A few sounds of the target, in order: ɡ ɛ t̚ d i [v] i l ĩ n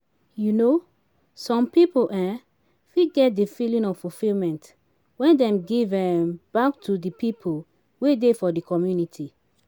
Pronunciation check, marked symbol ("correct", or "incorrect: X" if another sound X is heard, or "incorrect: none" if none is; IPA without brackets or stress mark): incorrect: f